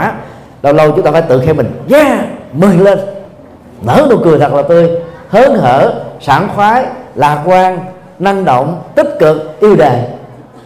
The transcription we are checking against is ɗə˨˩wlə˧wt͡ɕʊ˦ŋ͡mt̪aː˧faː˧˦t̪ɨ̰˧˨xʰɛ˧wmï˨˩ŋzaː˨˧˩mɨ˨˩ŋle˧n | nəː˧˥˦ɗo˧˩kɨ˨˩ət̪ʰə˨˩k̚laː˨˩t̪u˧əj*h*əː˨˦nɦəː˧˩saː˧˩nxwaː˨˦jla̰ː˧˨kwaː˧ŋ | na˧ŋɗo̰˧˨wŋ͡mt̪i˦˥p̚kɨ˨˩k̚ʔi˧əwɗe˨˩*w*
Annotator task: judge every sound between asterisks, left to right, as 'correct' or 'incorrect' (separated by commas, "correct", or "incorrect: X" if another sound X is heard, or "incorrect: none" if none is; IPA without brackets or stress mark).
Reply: correct, incorrect: none